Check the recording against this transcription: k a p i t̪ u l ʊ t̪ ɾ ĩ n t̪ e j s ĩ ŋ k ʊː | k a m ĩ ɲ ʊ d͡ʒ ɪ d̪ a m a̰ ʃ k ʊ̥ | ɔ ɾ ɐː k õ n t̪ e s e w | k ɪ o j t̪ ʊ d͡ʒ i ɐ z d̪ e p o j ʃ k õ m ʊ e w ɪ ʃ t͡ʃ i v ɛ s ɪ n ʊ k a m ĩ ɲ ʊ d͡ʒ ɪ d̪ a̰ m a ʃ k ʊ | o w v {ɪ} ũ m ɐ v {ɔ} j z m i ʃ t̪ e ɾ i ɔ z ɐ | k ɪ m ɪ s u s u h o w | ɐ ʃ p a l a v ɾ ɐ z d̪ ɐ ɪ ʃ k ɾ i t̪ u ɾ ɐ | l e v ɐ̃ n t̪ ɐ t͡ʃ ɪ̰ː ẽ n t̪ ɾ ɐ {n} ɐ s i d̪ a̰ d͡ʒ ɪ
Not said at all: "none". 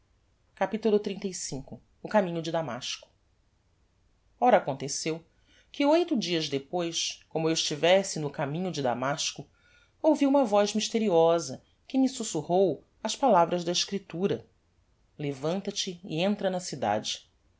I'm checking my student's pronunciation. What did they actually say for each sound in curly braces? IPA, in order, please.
i, ɔ, n

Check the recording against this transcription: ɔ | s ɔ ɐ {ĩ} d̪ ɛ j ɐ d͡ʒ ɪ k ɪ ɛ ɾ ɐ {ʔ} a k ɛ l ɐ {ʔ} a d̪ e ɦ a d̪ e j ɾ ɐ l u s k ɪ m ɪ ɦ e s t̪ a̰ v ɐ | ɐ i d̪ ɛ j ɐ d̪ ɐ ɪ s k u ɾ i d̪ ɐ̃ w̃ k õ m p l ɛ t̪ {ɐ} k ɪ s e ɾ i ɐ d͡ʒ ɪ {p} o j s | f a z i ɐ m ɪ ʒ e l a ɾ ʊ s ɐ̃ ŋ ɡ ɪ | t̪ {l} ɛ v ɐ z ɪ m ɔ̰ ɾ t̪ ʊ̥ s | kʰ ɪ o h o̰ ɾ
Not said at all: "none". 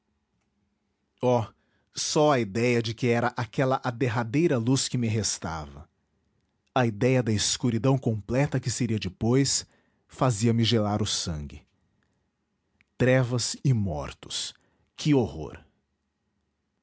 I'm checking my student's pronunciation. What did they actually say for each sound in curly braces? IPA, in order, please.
i, ʔ, ʔ, ɐ, p, ɾ

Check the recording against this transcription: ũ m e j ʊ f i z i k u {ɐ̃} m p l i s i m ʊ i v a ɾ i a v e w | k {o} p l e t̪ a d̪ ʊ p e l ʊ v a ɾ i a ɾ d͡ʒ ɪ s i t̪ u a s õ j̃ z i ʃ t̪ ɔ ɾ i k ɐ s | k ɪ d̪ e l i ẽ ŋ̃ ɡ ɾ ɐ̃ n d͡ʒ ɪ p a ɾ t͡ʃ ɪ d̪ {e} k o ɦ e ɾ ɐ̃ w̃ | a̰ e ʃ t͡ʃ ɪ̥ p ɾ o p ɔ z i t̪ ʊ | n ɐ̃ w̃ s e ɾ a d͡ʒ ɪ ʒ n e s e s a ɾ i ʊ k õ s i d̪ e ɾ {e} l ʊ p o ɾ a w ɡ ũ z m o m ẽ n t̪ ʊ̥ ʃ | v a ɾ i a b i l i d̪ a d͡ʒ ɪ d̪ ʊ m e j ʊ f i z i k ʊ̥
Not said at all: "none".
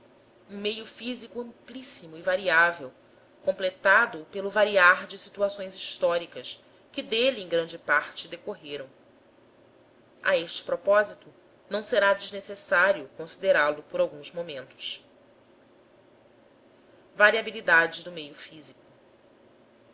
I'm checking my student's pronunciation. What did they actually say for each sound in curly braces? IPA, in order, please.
ɐ̃, õ, e, a

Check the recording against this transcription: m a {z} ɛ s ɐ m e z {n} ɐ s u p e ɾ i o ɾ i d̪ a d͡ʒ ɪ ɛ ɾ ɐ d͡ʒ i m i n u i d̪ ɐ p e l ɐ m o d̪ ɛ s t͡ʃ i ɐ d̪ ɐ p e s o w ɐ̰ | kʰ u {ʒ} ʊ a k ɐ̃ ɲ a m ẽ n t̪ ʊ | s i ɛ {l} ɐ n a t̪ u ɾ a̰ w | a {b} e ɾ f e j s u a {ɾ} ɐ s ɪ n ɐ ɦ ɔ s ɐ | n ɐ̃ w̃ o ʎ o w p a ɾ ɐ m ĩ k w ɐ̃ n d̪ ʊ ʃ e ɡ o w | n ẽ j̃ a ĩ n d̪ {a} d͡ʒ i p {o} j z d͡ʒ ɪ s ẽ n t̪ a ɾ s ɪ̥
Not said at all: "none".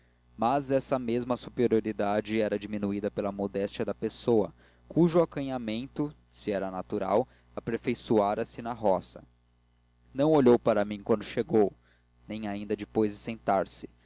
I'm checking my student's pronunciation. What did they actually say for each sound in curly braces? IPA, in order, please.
z, m, ʒ, ɾ, p, ɾ, ɐ, o

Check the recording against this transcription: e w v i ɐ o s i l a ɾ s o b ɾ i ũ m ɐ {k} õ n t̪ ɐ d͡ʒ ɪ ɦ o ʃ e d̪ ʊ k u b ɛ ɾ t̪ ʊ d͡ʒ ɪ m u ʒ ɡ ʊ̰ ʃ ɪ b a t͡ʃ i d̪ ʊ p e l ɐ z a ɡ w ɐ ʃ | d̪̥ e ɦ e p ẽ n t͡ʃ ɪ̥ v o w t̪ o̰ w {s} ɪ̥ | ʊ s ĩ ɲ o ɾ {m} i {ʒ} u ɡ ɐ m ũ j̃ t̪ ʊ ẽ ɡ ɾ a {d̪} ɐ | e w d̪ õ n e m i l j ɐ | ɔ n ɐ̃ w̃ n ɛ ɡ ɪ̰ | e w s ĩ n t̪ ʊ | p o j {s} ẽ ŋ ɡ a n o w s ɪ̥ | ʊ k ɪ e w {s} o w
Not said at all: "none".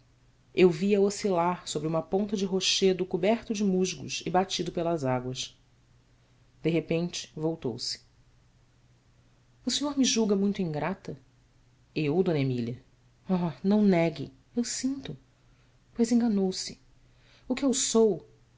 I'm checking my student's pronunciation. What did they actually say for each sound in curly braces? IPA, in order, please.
p, s, m, ʒ, t̪, z, s

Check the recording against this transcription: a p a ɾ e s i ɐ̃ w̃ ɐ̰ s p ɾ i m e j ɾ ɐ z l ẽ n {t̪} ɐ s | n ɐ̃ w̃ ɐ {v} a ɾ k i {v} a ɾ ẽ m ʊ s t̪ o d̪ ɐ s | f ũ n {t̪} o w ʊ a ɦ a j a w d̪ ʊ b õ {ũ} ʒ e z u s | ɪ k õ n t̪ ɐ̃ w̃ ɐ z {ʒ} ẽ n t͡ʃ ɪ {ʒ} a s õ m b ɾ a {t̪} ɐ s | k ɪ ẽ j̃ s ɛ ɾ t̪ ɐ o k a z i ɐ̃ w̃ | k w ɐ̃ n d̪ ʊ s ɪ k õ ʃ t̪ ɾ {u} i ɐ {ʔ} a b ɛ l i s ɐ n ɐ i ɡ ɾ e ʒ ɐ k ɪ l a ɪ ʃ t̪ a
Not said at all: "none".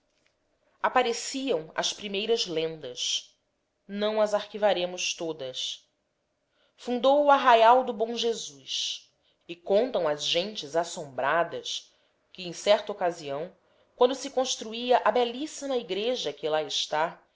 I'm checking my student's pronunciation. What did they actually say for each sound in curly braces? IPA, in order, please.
d̪, z, v, d̪, w̃, ʒ, z, d̪, u, ʔ

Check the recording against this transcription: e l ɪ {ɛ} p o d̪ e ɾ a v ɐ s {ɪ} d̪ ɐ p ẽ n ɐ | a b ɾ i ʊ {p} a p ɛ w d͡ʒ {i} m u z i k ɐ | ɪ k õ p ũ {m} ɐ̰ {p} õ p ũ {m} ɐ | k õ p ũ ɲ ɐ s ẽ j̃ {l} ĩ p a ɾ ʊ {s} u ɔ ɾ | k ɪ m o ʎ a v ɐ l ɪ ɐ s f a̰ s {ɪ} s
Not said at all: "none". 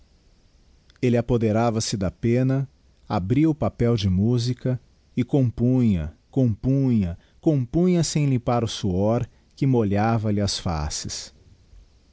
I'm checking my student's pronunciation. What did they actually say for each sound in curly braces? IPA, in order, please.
a, ɪ, p, ɪ, ɲ, k, ɲ, l, s, ɪ

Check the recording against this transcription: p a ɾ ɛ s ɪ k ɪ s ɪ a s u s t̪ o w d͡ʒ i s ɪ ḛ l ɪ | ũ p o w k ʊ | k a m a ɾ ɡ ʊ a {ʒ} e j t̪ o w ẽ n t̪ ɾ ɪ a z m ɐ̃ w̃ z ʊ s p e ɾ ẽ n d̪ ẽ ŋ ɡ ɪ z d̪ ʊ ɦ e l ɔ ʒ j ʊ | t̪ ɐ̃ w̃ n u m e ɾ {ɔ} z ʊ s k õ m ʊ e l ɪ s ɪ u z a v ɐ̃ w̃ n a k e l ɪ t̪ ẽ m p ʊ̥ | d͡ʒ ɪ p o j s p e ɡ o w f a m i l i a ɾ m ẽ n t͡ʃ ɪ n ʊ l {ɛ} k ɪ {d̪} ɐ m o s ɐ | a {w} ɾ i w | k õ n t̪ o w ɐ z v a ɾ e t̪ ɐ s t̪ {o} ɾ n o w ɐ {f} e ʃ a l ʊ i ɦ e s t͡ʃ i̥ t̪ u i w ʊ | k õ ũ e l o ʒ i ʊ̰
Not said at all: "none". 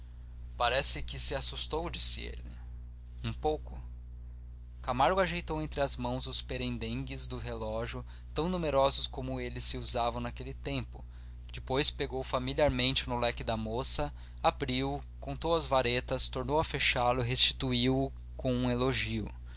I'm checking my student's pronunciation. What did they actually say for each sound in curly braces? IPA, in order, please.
ʒ, ɔ, ɛ, d̪, b, o, f

